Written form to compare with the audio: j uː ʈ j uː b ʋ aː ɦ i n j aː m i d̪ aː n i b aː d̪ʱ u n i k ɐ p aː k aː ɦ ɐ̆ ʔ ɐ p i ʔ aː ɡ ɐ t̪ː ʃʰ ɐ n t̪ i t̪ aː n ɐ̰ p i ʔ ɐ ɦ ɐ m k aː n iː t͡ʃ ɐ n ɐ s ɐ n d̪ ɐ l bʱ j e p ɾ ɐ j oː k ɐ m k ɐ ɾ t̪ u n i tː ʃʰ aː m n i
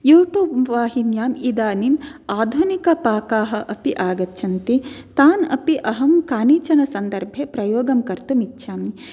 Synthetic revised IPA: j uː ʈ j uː b ʋ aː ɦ i n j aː m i d̪ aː n i m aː d̪ʱ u n i k ɐ p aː k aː ɦ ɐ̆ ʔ ɐ p i ʔ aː ɡ ɐ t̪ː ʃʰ ɐ n t̪ i t̪ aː n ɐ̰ p i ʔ ɐ ɦ ɐ m k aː n iː t͡ʃ ɐ n ɐ s ɐ n d̪ ɐ ɾ bʱ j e p ɾ ɐ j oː ɡ ɐ m k ɐ ɾ t̪ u m i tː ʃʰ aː m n i